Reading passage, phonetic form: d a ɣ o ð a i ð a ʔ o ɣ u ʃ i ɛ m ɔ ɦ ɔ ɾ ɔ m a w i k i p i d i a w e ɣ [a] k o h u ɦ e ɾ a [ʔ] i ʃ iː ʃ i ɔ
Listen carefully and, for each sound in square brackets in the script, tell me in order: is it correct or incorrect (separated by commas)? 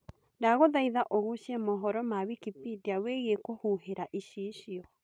incorrect, correct